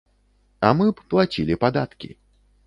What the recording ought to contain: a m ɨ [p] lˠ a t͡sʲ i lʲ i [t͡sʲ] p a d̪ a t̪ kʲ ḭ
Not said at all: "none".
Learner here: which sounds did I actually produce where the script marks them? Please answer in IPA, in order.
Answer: p, none

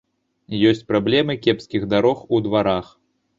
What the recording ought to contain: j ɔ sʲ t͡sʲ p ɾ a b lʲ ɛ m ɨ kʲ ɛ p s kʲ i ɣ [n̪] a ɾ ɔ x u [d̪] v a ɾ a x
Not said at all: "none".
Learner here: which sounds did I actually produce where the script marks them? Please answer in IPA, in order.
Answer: d̪, d̪

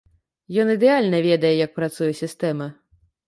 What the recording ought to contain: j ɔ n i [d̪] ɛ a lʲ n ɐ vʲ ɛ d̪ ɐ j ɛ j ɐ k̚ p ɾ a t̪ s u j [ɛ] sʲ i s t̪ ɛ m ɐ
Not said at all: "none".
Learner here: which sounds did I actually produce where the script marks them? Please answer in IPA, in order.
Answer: d̪, ɛ

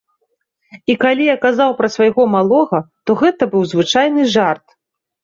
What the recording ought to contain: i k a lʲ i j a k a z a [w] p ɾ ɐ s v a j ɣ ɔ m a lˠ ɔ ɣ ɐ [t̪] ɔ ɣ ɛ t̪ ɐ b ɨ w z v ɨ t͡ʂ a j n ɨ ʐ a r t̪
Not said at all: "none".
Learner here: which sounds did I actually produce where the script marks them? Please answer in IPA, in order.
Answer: w, t̪

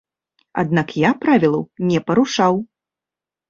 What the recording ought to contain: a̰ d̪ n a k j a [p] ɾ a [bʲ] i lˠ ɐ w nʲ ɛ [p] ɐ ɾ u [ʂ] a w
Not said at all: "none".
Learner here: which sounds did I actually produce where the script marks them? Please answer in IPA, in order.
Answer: p, vʲ, p, ʂ

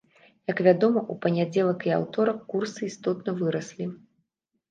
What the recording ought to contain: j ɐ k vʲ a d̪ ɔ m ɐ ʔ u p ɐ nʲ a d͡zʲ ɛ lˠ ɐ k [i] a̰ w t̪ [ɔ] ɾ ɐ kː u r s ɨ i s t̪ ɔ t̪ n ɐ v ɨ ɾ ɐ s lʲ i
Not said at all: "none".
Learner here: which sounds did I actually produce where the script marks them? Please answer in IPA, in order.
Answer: i, ɔ

